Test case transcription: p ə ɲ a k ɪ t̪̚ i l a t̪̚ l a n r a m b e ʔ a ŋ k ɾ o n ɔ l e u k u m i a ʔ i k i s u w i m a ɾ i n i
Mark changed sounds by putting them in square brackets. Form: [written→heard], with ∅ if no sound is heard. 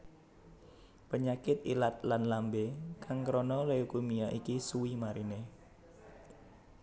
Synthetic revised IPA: p ə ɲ a k ɪ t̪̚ i l a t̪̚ l a n [r→l] a m b e [ʔ→k] a ŋ k ɾ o n ɔ l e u k u m i a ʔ i k i s u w i m a ɾ i n [i→e]